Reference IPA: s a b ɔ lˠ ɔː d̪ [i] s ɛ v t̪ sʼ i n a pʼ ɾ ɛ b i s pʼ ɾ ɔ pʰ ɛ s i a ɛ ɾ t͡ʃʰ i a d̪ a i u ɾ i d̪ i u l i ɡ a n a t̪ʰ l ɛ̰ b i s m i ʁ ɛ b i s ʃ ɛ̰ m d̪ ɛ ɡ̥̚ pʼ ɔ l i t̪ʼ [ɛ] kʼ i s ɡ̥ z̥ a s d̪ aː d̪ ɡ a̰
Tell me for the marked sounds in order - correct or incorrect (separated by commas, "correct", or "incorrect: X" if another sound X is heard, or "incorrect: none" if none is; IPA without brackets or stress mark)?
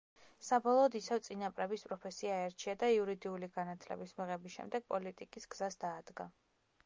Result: correct, incorrect: i